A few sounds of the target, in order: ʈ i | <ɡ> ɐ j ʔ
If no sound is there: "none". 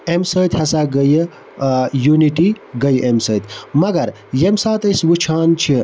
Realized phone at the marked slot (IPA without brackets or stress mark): ɡ